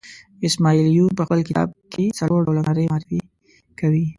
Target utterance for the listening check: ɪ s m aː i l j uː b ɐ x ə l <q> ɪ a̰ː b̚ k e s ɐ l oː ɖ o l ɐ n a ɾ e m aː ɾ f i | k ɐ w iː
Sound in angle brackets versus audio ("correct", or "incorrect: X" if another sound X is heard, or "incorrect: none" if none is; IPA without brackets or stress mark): incorrect: k